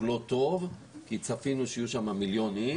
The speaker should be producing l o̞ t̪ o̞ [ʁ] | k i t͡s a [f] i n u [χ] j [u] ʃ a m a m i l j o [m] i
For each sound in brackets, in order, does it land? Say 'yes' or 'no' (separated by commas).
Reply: no, yes, no, yes, no